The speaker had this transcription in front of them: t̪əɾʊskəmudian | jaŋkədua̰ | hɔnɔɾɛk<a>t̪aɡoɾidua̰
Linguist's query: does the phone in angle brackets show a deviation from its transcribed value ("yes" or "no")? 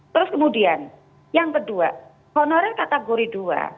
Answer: no